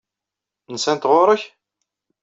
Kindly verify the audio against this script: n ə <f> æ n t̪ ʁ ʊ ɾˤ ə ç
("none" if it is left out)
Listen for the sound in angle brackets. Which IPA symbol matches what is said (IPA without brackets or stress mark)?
s